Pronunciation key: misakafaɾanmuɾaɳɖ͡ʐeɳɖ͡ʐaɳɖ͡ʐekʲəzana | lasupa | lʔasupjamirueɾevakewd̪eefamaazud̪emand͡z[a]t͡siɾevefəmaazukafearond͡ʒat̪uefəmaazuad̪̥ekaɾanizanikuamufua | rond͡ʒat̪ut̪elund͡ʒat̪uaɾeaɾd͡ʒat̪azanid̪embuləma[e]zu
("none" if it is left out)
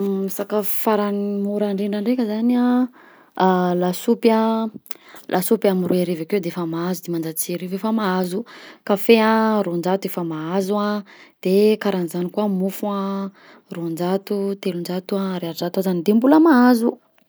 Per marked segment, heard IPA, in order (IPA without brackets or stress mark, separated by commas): a, a